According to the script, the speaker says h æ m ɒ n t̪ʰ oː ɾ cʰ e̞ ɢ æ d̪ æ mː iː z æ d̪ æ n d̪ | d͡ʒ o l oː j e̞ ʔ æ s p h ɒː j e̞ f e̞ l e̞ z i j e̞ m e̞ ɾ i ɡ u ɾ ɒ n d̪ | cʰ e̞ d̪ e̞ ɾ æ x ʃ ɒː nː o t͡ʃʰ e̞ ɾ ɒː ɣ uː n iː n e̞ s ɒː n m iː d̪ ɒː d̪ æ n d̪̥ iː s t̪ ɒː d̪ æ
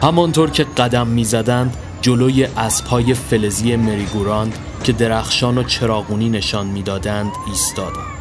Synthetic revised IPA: h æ m ɒ n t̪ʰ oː ɾ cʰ e̞ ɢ æ d̪ æ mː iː z æ d̪ æ n d̪ | d͡ʒ o l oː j e̞ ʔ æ s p h ɒː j e̞ f e̞ l e̞ z i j e̞ m e̞ ɾ i ɡ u ɾ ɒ n d̪ | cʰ e̞ d̪ e̞ ɾ æ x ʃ ɒː n o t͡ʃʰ e̞ ɾ ɒː ɣ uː n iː n e̞ ʃ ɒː n m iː d̪ ɒː d̪ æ n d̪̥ iː s t̪ ɒː d̪ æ